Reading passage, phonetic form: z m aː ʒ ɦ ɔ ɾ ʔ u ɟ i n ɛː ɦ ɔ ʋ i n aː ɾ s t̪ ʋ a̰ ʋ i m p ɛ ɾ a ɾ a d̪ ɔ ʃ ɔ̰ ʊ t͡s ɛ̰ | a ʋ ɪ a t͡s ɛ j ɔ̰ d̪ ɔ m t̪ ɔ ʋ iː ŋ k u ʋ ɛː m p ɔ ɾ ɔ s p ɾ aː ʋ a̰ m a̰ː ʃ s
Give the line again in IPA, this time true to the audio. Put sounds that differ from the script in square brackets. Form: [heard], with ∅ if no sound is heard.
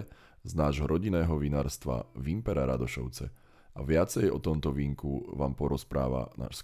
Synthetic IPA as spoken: z [n] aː ʒ ɦ ɔ ɾ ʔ [ɔ] ɟ i n ɛː ɦ ɔ ʋ i n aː ɾ s t̪ ʋ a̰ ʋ i m p ɛ ɾ a ɾ a d̪ ɔ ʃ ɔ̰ ʊ t͡s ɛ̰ | a ʋ ɪ a t͡s ɛ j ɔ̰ [t̪] ɔ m t̪ ɔ ʋ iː ŋ k u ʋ [aː] m p ɔ ɾ ɔ s p ɾ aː ʋ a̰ [n] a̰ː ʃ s